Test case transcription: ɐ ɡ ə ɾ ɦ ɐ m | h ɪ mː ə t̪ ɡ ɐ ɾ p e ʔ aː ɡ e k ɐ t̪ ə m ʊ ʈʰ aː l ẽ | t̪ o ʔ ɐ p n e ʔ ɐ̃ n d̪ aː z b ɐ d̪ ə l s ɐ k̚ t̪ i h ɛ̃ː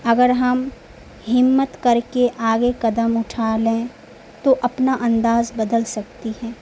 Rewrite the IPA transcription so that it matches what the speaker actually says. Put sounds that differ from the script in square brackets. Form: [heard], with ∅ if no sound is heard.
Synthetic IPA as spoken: ɐ ɡ ə ɾ ɦ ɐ m | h ɪ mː ə t̪ [k] ɐ ɾ [k] e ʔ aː ɡ e k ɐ [d̪] ə m ʊ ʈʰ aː l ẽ | t̪ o ʔ ɐ p n [a] ʔ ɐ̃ n d̪ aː z b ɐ d̪ ə l s ɐ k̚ t̪ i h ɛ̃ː